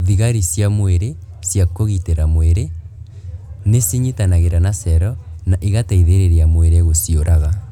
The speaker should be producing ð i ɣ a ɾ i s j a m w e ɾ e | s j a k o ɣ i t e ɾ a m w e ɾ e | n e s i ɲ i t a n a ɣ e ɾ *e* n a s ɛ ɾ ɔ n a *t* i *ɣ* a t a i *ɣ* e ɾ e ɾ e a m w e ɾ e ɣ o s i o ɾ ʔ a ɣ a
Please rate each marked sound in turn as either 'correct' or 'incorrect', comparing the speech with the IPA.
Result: incorrect: a, incorrect: ʔ, correct, incorrect: ð

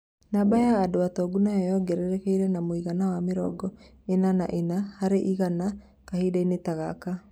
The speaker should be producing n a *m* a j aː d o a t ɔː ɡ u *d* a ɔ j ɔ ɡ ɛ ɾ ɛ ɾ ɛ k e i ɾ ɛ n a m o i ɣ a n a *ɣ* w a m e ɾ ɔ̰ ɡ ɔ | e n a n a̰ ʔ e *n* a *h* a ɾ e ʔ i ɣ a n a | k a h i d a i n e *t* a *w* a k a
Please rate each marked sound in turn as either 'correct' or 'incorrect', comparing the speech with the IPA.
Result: incorrect: b, incorrect: n, incorrect: none, correct, correct, correct, incorrect: ɣ

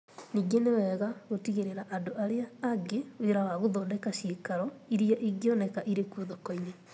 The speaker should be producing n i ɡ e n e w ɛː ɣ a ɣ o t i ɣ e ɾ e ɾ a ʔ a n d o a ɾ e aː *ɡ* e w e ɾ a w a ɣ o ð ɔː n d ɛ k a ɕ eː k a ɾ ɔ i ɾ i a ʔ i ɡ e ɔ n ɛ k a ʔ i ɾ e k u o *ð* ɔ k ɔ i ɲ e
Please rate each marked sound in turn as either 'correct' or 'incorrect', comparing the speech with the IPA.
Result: correct, correct

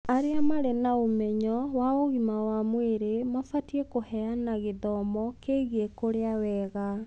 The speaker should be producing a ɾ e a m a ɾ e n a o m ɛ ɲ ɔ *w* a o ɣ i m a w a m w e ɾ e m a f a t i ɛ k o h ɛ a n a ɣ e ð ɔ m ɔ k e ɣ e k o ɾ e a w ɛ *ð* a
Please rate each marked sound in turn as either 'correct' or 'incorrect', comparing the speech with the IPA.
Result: correct, incorrect: ɣ

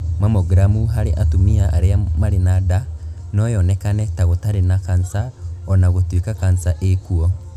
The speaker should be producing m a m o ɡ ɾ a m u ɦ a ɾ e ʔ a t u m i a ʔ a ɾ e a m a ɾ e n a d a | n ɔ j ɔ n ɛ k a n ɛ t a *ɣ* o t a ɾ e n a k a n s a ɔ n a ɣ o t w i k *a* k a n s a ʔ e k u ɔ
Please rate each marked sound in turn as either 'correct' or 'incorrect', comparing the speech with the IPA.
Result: correct, correct

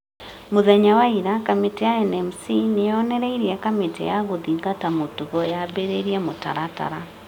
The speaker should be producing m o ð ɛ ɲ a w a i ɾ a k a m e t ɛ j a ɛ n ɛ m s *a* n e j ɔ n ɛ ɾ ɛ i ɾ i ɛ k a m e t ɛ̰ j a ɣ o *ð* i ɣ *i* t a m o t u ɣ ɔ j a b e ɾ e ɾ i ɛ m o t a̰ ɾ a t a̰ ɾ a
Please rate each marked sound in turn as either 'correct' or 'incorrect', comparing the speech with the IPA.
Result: incorrect: i, correct, incorrect: a

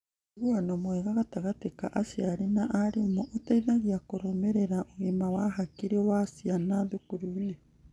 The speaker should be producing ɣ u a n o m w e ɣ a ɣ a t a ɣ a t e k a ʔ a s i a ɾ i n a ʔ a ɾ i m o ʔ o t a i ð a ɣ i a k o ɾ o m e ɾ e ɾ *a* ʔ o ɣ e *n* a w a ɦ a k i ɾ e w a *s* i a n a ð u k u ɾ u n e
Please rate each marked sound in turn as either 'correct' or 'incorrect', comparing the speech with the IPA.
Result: correct, incorrect: m, correct

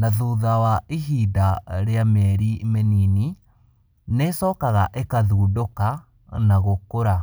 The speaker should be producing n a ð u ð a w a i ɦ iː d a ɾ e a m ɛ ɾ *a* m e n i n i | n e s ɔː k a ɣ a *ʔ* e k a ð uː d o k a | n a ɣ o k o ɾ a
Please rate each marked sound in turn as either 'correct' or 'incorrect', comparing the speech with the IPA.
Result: incorrect: i, correct

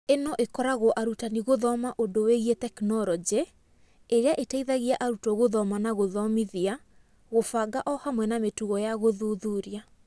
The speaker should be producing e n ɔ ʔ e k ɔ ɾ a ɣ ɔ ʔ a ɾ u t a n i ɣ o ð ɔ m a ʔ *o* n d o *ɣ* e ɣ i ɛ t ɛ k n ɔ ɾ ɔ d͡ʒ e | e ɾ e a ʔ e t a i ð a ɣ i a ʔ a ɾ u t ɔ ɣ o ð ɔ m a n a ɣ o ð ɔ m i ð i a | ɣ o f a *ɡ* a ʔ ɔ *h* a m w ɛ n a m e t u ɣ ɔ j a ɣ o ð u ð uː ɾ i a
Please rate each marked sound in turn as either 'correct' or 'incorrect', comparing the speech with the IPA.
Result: correct, incorrect: w, correct, correct

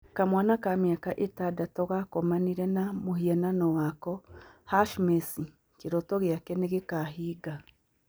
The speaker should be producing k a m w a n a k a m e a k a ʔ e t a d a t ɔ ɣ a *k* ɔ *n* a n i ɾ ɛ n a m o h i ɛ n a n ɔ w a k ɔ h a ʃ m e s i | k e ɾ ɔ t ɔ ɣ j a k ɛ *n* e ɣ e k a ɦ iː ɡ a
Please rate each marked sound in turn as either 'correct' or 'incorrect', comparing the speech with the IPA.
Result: correct, incorrect: m, correct

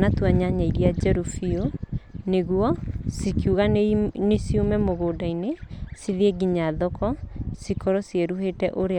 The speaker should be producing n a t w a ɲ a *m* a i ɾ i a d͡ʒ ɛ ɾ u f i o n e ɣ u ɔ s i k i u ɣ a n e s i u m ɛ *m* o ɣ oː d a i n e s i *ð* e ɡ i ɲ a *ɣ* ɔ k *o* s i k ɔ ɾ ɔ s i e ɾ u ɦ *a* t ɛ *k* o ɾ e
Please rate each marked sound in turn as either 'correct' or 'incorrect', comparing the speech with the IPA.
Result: incorrect: ɲ, correct, correct, incorrect: ð, incorrect: ɔ, incorrect: e, incorrect: ʔ

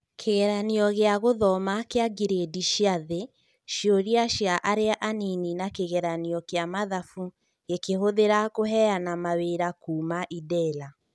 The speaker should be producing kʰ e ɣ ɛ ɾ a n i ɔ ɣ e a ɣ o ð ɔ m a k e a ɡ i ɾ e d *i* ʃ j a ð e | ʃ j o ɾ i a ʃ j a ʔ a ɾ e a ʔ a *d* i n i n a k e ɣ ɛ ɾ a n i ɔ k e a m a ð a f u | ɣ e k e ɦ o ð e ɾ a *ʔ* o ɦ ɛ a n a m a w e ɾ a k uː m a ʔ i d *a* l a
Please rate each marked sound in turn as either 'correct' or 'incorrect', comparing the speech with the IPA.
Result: correct, incorrect: n, incorrect: k, incorrect: ɛ

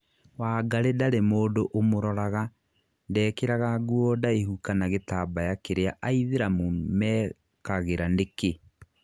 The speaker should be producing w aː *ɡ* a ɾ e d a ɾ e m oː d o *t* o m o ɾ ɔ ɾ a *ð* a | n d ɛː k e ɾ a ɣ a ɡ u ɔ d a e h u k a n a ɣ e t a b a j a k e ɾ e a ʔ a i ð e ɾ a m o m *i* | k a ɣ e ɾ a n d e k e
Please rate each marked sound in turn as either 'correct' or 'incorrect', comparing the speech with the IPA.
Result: correct, incorrect: ʔ, incorrect: ɣ, incorrect: ɛ

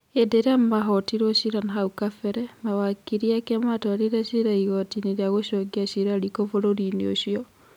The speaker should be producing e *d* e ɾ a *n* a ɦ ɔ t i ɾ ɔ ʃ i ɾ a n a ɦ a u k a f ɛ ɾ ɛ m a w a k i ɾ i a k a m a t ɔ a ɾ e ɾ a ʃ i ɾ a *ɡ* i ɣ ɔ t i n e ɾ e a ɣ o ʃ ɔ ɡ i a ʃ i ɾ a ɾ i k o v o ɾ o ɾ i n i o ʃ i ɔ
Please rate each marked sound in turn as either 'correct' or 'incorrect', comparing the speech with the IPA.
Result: correct, incorrect: m, incorrect: none

